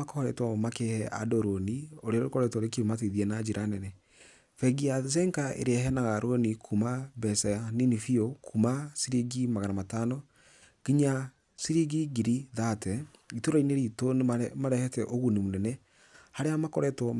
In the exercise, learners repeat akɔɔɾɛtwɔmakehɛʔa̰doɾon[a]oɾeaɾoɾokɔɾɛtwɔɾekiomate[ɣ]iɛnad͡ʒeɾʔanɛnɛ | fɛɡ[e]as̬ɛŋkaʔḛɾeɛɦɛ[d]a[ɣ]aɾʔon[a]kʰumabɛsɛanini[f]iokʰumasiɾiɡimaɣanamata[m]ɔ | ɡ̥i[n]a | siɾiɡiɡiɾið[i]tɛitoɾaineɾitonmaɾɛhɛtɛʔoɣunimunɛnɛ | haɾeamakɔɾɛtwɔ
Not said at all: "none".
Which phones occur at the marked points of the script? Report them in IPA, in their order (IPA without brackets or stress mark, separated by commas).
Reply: i, ð, i, n, ɣ, i, f, n, ɲ, a